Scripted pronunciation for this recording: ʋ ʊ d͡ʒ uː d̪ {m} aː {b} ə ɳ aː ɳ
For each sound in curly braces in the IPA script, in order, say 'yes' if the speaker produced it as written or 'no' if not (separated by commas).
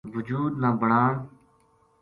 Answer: no, yes